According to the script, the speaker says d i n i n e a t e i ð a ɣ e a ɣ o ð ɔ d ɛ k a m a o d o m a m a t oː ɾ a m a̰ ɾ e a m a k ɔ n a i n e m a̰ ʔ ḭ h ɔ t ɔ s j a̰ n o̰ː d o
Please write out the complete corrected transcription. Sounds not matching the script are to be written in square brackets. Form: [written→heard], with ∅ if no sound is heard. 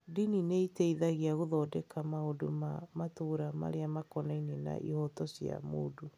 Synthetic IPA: d i n i n e [a→i] t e i ð a ɣ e a ɣ o ð ɔ d ɛ k a m a o d o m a m a t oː ɾ a m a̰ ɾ e a m a k ɔ n a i n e [m→n] a̰ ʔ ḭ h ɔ t ɔ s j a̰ [n→m] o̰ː d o